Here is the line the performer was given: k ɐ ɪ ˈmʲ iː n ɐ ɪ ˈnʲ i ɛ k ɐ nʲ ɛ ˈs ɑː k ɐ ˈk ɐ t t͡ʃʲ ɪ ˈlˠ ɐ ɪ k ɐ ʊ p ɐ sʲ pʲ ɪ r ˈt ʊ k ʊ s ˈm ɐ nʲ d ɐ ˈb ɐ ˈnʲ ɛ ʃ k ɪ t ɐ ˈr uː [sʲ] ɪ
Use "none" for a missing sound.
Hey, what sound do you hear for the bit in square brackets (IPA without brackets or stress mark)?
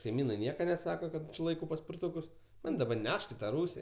sʲ